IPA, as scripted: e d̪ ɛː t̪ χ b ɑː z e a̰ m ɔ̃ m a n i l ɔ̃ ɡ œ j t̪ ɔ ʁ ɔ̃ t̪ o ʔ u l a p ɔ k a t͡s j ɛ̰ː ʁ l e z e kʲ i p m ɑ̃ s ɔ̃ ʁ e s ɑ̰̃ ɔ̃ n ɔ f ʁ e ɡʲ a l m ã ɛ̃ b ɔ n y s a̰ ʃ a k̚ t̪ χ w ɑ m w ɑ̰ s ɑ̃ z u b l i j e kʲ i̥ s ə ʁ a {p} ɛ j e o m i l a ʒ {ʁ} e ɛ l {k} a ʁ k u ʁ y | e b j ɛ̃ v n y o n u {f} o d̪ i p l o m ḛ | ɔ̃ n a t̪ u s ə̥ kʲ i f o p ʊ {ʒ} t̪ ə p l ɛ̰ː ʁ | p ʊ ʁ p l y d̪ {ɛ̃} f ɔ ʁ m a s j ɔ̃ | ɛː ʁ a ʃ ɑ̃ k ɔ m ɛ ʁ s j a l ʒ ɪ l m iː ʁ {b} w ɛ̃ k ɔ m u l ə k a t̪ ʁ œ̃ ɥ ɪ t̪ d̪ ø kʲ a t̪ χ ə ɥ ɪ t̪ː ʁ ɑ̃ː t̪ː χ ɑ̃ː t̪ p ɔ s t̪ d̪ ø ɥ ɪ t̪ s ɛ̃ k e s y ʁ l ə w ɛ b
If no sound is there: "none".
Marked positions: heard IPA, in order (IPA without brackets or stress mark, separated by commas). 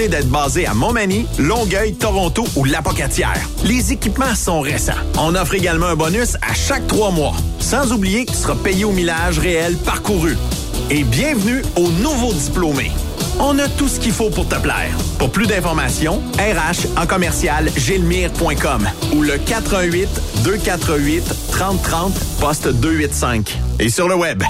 p, ʁ, p, v, ʁ, ɛ̃, p